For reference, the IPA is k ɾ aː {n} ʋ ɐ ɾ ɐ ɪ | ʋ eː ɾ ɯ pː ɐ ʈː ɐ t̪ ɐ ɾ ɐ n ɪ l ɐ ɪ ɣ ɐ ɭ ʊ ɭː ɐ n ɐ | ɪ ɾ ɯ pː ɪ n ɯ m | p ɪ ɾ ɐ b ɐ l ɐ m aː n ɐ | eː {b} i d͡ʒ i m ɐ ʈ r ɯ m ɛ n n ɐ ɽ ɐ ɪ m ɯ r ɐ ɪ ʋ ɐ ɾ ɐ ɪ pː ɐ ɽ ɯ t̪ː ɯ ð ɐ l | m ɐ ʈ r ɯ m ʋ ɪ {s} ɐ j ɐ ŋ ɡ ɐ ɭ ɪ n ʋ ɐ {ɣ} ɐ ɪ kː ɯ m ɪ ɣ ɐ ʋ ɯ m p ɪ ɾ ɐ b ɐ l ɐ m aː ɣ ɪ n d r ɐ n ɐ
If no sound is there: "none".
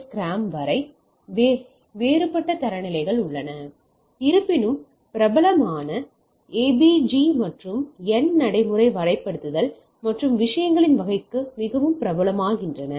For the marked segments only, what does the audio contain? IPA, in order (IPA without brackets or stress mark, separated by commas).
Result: m, b, ʂ, ɣ